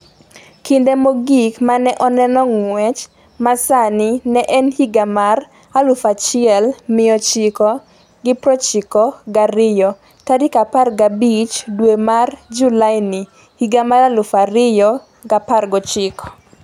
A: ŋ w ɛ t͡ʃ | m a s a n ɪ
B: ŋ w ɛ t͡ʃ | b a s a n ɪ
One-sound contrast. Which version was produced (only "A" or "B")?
A